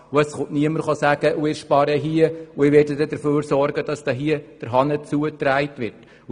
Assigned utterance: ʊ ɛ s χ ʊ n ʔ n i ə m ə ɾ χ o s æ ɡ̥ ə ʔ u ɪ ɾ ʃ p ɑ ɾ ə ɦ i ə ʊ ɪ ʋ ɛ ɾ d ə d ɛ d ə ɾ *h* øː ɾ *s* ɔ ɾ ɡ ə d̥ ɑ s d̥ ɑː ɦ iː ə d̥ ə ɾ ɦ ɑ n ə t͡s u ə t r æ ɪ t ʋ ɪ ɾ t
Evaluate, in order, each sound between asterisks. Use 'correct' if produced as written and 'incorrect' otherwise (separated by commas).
incorrect, correct